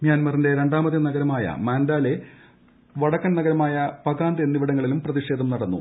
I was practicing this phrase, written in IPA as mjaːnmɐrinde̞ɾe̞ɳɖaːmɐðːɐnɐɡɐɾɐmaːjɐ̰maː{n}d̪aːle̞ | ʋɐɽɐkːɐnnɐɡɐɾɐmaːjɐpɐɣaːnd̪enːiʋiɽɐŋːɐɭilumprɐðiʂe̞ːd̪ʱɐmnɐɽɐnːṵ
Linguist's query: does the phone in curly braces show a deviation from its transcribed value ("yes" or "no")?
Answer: no